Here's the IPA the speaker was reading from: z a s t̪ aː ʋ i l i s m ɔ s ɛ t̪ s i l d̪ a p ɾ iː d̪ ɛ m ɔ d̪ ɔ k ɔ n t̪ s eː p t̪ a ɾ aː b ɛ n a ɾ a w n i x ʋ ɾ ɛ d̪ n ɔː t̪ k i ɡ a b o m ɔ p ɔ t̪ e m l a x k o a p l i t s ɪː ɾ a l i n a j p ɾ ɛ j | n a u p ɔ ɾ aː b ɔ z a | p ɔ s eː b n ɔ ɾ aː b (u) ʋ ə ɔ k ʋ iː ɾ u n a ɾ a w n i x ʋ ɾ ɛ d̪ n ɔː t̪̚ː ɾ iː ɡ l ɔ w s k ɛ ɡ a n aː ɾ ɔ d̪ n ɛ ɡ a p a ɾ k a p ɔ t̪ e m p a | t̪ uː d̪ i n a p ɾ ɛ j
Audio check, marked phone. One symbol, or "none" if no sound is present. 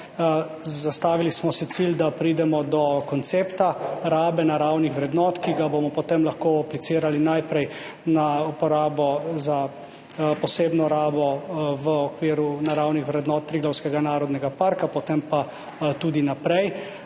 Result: ɔ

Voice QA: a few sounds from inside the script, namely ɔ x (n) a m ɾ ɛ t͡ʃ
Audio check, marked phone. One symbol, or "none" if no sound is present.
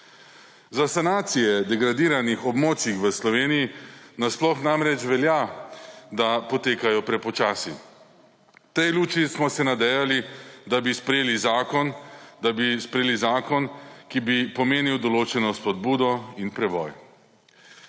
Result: n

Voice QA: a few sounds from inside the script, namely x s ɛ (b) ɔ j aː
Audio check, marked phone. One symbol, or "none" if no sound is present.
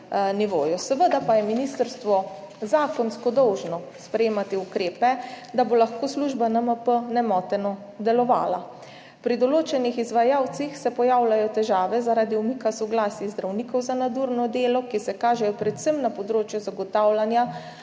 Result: p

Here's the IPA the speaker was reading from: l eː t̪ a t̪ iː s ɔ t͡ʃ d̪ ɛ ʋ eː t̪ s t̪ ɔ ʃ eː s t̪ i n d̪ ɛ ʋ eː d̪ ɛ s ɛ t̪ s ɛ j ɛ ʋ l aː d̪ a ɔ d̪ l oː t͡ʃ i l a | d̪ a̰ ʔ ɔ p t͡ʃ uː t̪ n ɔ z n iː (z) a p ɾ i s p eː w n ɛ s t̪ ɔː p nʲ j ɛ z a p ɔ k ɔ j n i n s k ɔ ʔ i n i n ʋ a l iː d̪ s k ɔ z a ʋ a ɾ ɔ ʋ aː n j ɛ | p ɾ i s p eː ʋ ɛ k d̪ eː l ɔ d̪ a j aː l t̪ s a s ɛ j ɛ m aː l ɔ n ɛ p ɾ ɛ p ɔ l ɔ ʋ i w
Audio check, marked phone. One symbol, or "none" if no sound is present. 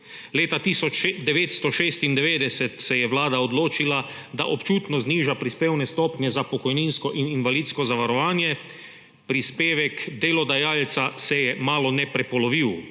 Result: ʒ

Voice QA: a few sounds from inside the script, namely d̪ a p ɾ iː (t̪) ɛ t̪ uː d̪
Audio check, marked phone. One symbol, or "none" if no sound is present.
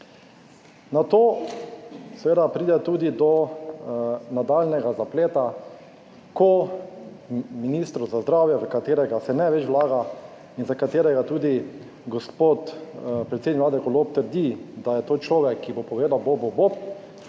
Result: d̪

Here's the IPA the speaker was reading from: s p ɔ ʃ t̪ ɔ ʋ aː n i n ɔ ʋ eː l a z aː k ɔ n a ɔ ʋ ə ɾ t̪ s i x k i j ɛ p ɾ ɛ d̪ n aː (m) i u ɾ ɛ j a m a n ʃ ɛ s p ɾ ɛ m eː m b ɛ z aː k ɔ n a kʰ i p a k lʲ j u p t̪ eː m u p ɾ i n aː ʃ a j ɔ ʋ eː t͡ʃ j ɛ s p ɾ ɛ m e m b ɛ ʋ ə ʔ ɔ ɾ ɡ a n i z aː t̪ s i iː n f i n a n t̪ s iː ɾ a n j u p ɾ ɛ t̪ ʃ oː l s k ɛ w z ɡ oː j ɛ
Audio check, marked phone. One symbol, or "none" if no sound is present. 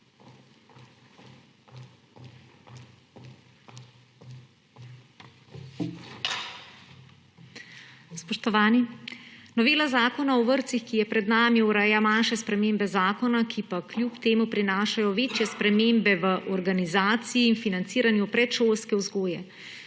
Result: m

